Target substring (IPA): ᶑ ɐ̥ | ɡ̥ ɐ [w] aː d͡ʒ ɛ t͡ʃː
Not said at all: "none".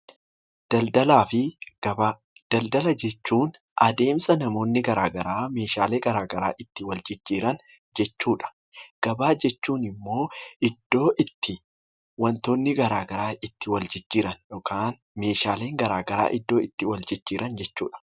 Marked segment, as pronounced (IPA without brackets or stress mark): b